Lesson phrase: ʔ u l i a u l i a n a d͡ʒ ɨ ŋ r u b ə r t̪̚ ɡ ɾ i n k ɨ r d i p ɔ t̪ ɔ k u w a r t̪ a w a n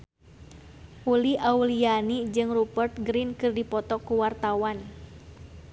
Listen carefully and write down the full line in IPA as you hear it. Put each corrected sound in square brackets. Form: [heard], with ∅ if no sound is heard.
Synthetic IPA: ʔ u l i a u l i a n [i] d͡ʒ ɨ ŋ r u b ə r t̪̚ ɡ ɾ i n k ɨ r d i p ɔ t̪ ɔ k u w a r t̪ a w a n